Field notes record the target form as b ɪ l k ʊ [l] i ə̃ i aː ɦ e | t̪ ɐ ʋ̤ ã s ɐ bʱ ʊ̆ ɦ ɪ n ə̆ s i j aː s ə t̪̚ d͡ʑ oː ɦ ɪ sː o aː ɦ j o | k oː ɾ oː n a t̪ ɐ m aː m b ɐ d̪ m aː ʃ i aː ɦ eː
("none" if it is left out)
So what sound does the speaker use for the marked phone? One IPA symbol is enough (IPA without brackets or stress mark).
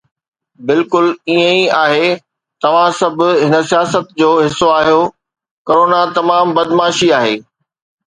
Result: l